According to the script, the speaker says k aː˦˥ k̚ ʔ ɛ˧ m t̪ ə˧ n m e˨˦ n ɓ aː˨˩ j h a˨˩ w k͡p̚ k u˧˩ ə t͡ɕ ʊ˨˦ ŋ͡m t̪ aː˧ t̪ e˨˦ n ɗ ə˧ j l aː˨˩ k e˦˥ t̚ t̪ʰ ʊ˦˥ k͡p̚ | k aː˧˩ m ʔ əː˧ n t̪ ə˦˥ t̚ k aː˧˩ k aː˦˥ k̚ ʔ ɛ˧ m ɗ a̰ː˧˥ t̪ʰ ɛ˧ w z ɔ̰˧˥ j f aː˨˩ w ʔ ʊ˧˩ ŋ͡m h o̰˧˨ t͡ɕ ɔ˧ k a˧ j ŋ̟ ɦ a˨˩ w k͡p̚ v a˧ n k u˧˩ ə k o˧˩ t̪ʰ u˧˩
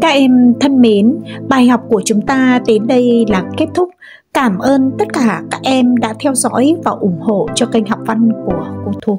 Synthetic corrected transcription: k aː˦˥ k̚ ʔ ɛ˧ m t̪ʰ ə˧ n m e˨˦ n ɓ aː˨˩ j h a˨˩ w k͡p̚ k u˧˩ ə t͡ɕ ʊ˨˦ ŋ͡m t̪ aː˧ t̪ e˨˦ n ɗ ə˧ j l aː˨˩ k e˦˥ t̚ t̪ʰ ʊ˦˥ k͡p̚ | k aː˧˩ m ʔ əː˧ n t̪ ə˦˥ t̚ k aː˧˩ k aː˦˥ k̚ ʔ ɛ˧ m ɗ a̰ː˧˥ t̪ʰ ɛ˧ w z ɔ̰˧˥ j v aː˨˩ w ʔ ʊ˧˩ ŋ͡m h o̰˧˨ t͡ɕ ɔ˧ k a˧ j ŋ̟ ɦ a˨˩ w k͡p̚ v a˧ n k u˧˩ ə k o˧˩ t̪ʰ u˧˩

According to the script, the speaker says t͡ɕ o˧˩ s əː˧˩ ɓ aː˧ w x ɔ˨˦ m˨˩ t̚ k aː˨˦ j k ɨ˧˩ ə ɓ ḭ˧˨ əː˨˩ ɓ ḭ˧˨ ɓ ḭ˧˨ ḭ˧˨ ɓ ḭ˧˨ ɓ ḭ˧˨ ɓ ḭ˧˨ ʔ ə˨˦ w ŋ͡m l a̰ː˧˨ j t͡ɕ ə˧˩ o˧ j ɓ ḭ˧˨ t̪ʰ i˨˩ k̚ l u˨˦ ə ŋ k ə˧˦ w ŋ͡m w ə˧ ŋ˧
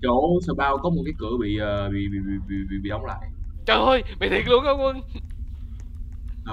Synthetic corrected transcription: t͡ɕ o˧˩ s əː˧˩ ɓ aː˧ w k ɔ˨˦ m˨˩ t̚ k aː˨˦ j k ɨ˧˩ ə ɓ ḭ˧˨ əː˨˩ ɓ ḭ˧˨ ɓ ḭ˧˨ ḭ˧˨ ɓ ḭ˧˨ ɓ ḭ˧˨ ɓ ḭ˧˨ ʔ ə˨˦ w ŋ͡m l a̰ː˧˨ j t͡ɕ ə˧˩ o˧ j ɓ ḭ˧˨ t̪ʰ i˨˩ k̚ l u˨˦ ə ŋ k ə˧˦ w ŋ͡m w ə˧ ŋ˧

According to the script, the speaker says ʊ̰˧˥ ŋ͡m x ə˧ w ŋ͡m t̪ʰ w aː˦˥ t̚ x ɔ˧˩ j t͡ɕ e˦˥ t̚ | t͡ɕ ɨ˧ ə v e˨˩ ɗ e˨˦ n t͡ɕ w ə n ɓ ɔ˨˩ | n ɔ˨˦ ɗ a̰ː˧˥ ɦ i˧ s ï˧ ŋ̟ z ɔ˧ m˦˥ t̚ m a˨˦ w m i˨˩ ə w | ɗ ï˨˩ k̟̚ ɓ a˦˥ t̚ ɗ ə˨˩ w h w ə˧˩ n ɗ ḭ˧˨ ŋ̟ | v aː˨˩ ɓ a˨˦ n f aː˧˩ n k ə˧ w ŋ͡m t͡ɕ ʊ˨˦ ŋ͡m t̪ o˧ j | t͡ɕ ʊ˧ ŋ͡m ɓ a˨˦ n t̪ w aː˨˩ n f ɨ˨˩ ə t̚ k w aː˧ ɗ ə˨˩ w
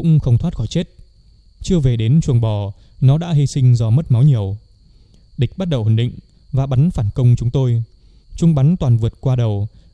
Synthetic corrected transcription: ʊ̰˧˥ ŋ͡m x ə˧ w ŋ͡m t̪ʰ w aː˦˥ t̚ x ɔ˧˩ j t͡ɕ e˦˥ t̚ | t͡ɕ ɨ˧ ə v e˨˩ ɗ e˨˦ n t͡ɕ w ə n ɓ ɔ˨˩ | n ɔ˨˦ ɗ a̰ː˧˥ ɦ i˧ s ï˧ ŋ̟ z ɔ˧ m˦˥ t̚ m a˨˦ w ɲ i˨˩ ə w | ɗ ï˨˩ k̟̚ ɓ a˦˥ t̚ ɗ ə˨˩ w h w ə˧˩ n ɗ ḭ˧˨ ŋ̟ | v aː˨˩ ɓ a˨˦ n f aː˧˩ n k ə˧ w ŋ͡m t͡ɕ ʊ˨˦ ŋ͡m t̪ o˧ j | t͡ɕ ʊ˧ ŋ͡m ɓ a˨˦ n t̪ w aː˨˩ n v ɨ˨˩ ə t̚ k w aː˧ ɗ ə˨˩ w

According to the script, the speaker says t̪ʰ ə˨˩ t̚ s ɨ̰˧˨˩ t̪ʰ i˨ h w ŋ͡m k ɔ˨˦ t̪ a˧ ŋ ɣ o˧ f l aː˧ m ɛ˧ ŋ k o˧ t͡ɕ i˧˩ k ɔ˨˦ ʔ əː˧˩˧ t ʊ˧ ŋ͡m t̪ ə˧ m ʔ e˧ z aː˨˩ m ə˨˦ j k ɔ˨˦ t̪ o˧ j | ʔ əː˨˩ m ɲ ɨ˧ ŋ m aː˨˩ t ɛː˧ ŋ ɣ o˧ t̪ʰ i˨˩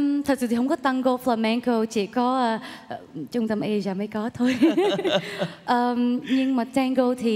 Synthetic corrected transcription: t̪ʰ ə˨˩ t̚ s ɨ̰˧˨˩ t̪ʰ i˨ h w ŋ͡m k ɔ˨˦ t̪ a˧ ŋ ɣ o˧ f l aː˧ m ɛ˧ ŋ k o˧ t͡ɕ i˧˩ k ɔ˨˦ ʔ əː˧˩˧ t͡ɕ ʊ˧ ŋ͡m t̪ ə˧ m ʔ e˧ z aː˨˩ m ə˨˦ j k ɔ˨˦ t̪ʰ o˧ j | ʔ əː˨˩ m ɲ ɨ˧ ŋ m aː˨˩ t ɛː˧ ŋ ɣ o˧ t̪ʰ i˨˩

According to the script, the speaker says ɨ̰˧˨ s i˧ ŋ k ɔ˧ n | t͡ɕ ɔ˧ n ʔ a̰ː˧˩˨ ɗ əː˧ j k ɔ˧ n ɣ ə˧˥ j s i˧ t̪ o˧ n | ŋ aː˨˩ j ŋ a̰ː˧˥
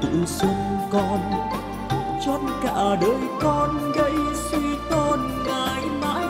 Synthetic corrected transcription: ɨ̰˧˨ s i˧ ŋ k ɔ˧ n | t͡ɕ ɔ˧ n k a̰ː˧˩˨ ɗ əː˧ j k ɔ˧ n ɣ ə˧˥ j s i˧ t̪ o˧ n | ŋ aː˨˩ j m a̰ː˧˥

